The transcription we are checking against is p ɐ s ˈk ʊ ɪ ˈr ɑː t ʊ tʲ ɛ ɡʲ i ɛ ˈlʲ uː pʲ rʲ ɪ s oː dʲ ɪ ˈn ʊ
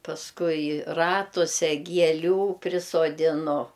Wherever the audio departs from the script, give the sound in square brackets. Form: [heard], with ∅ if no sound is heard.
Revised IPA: p ɐ s ˈk ʊ ɪ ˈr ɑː t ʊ [sʲ] ɛ ɡʲ i ɛ ˈlʲ uː pʲ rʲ ɪ s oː dʲ ɪ ˈn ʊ